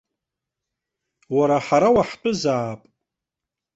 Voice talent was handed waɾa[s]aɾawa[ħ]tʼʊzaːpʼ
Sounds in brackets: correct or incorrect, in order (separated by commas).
incorrect, correct